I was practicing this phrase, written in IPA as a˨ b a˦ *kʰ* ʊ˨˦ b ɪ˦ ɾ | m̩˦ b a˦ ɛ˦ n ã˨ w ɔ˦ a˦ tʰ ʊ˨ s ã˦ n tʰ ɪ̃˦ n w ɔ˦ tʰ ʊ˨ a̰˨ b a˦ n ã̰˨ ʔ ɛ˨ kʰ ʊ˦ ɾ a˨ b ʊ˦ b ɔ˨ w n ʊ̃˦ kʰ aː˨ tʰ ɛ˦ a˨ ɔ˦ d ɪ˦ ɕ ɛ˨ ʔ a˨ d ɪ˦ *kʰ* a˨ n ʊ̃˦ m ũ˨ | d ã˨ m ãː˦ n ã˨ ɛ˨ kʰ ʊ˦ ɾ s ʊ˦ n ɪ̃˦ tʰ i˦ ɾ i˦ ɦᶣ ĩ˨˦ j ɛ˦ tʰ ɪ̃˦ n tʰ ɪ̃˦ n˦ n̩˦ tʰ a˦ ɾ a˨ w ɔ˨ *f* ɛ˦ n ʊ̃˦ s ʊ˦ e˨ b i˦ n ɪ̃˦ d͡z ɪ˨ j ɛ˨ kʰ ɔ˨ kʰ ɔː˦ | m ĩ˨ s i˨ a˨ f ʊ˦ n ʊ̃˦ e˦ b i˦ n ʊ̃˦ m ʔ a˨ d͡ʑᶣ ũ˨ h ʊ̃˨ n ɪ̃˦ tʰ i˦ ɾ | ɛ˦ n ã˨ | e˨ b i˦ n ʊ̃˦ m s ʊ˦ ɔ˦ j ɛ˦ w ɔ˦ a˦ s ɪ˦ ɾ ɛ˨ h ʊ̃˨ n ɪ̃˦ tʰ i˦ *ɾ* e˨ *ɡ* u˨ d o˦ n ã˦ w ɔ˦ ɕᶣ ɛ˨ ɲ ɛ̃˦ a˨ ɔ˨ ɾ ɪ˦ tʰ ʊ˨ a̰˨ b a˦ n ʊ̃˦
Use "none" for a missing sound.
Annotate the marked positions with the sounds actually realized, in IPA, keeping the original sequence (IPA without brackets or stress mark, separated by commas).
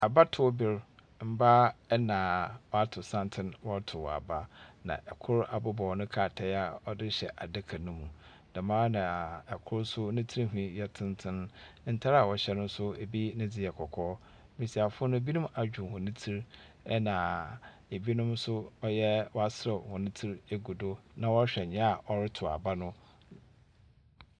tʰ, kʰ, ɕ, ɾ, ɡ